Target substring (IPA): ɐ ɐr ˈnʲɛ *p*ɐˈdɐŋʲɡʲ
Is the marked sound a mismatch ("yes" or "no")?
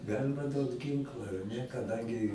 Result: yes